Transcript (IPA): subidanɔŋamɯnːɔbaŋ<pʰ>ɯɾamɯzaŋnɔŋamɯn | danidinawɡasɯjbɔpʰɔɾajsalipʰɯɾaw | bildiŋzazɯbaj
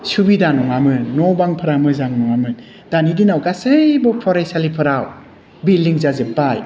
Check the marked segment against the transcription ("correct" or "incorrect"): correct